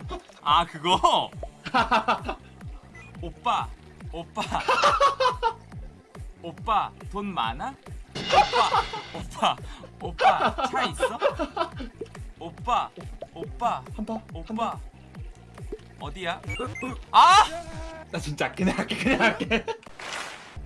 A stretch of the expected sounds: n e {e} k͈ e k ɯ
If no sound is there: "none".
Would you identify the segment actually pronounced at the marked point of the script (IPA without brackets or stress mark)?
a